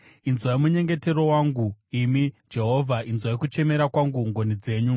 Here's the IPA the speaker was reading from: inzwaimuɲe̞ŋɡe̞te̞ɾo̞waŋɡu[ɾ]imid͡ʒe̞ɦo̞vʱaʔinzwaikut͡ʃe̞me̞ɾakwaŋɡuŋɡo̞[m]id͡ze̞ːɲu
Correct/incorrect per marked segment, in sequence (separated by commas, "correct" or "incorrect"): incorrect, incorrect